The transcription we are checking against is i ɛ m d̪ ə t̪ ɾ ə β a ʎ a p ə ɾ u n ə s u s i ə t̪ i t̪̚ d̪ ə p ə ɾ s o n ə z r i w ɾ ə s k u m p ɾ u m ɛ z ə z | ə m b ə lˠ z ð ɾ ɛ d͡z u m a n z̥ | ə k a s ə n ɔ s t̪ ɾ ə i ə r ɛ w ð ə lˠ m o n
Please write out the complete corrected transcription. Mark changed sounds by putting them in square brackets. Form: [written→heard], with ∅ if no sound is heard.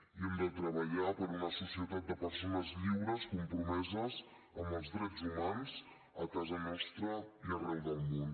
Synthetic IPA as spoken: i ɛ m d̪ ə t̪ ɾ ə β [a→ə] ʎ a p ə ɾ u n ə s u s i ə t̪ [i→a] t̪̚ d̪ ə p ə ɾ s o n ə z [r→ʎ] i w ɾ ə s k u m p ɾ u m ɛ z ə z | ə m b ə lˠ z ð ɾ ɛ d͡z u m a n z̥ | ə k a [s→z] ə n ɔ s t̪ ɾ ə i ə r ɛ w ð ə lˠ m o n